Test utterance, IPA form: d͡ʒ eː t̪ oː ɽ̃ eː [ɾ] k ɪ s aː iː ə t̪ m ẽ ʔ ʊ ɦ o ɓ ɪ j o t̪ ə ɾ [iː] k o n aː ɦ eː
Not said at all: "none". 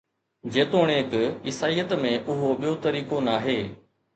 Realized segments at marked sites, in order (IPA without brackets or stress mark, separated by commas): none, iː